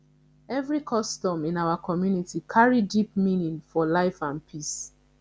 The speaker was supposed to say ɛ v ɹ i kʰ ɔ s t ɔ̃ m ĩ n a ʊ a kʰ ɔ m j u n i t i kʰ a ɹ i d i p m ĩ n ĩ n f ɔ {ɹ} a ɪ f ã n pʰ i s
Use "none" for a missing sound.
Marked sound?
l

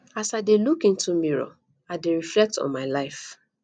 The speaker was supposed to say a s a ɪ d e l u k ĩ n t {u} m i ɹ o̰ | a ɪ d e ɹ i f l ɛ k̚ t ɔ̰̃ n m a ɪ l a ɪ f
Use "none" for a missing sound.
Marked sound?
u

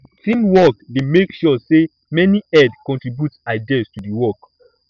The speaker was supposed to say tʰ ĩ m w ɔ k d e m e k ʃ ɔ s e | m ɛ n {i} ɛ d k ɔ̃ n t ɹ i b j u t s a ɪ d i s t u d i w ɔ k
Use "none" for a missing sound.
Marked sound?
i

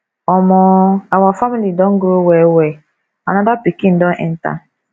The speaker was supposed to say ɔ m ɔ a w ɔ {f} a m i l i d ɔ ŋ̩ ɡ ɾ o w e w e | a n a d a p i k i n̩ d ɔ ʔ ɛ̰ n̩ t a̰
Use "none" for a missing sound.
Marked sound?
f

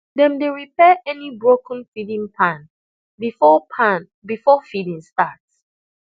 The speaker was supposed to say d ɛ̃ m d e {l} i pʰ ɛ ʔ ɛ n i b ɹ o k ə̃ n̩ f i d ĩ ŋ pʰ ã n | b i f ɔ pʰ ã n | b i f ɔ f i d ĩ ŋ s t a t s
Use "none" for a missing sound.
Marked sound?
ɹ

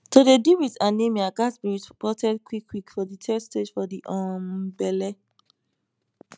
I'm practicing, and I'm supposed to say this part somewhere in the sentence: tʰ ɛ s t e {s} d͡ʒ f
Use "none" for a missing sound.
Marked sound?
none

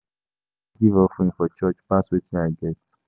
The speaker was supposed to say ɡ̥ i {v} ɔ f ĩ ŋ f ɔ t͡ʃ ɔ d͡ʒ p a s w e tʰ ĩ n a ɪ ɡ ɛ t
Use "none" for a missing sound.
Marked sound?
v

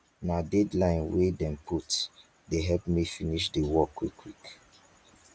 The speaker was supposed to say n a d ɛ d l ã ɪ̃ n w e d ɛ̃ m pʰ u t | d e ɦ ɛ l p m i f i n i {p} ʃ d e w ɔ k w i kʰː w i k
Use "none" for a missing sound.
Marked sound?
none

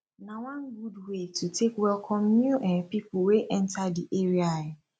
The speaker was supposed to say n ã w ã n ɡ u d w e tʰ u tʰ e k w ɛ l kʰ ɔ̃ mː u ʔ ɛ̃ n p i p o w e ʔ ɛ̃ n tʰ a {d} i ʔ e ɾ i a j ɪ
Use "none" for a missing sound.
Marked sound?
d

